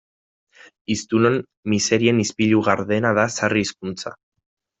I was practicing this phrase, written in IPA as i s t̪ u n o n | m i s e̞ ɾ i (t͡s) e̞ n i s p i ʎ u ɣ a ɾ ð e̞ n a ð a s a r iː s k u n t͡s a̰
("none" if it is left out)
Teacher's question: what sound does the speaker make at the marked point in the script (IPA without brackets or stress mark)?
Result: none